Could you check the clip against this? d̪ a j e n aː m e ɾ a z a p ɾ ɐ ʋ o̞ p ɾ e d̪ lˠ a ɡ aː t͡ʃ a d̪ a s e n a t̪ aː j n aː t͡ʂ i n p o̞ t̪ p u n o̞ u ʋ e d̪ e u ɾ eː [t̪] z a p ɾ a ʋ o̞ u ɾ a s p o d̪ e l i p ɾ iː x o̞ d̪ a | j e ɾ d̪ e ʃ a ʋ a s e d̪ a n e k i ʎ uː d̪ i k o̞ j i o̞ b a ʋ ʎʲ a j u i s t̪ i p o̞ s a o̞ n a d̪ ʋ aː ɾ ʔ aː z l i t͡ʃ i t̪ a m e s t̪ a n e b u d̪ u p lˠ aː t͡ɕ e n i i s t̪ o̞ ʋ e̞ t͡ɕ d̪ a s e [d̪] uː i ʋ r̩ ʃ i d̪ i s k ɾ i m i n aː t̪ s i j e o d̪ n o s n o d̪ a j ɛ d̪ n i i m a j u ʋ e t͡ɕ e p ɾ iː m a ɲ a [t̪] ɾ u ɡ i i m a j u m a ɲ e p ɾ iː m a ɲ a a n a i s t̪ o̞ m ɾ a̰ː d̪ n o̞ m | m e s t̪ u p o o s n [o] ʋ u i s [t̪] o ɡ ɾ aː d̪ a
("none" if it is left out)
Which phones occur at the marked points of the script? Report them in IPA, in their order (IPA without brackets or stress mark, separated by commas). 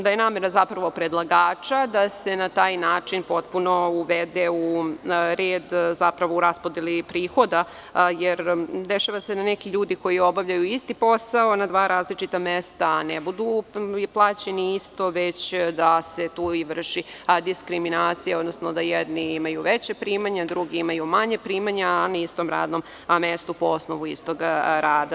d̪, t̪, d̪, o, t̪